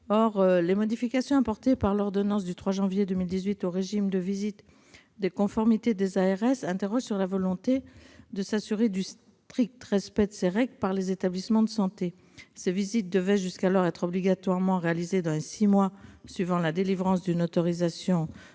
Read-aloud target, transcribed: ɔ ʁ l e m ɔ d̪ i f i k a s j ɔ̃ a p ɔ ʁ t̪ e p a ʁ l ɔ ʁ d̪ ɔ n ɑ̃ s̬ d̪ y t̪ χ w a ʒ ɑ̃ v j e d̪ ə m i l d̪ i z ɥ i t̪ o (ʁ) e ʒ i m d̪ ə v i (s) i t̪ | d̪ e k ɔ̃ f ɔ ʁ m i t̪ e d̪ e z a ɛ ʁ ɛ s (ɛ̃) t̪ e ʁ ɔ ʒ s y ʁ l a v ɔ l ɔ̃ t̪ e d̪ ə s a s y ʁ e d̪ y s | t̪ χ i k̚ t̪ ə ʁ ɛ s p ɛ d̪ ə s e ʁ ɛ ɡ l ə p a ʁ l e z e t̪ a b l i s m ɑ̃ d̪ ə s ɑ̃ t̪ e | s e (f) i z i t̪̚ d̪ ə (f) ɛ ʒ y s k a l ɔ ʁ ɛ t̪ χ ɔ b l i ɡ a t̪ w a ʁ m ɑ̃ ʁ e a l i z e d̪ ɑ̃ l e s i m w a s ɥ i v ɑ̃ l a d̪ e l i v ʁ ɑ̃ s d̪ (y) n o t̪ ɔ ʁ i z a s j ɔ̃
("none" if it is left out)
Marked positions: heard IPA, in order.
ʁ, z, ɛ̃, v, v, y

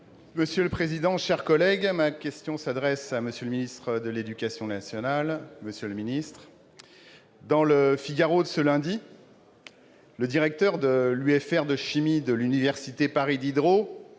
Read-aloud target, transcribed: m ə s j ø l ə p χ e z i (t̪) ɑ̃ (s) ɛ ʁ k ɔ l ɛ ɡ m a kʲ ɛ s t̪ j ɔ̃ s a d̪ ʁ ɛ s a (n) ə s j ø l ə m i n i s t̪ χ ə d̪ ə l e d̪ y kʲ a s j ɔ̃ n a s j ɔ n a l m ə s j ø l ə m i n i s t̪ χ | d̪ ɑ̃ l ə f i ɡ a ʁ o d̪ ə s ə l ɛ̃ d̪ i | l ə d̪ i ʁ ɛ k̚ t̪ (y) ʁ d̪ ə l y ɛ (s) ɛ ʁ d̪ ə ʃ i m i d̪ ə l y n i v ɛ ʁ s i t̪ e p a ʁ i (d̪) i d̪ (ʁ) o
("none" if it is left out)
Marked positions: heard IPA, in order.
d̪, ʃ, m, œ, f, d̪, ʁ

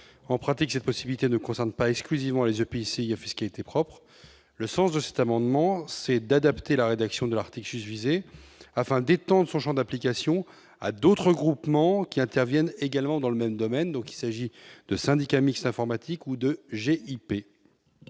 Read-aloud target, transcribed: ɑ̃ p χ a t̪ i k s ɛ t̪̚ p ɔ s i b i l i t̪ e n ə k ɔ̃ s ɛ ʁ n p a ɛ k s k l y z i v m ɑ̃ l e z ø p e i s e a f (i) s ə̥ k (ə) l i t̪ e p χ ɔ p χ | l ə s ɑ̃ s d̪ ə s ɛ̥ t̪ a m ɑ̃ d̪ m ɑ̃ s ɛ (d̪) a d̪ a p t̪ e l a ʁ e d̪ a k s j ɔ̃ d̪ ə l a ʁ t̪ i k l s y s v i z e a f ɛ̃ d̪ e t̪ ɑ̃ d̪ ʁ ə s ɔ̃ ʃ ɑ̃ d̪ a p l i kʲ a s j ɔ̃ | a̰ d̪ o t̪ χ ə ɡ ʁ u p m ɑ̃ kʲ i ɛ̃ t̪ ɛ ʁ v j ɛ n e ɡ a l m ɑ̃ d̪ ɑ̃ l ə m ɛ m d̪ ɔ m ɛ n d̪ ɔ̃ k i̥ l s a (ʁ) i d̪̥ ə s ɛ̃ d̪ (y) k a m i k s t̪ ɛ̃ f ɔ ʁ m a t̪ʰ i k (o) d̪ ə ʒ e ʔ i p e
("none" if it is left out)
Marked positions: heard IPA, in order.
i, a, d̪, ʒ, i, u

